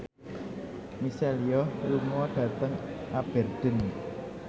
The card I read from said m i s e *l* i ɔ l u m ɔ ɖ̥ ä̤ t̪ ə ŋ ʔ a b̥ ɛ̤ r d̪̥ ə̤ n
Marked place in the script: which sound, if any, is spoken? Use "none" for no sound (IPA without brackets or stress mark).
l